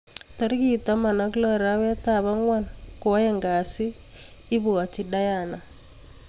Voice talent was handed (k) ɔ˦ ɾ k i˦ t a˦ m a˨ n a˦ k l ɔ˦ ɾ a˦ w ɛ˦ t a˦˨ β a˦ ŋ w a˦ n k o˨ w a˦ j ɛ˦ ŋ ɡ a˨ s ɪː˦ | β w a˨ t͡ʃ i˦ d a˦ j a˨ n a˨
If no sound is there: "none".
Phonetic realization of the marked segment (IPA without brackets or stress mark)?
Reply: t